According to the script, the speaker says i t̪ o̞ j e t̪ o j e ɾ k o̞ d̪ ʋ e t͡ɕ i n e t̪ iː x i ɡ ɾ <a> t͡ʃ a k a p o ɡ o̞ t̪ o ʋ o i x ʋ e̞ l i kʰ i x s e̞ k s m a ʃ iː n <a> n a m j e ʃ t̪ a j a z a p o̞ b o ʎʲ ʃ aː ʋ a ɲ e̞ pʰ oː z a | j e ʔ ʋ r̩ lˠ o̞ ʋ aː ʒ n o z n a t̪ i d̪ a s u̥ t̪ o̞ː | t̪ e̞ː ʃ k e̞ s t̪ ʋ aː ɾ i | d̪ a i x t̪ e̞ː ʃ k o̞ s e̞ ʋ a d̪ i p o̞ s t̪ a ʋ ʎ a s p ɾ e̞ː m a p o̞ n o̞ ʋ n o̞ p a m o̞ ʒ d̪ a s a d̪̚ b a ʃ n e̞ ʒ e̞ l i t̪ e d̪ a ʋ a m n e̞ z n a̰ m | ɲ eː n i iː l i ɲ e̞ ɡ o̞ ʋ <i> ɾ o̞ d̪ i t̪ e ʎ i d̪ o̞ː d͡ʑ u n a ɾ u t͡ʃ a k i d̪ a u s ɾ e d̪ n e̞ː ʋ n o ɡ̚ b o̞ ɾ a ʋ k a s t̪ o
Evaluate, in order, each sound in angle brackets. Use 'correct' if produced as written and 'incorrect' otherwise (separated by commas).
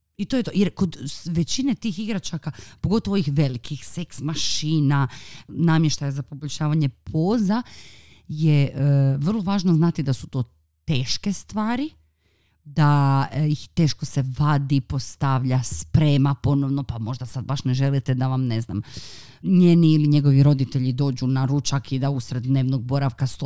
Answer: correct, correct, correct